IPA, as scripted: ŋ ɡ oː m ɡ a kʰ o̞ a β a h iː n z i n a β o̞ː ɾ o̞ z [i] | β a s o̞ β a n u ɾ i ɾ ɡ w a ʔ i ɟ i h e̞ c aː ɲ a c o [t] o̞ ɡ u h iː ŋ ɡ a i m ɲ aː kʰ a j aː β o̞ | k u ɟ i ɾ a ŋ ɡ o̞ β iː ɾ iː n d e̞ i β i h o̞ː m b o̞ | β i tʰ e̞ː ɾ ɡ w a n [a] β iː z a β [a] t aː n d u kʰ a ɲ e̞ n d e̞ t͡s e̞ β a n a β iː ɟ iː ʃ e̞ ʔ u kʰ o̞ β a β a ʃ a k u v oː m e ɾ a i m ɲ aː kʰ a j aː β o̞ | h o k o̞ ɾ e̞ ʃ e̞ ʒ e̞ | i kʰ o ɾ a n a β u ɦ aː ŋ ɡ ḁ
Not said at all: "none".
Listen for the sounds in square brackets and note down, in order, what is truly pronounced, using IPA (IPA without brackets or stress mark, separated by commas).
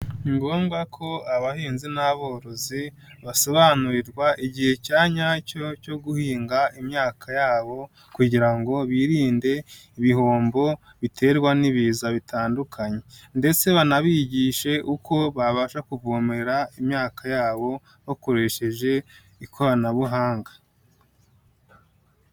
i, c, i, i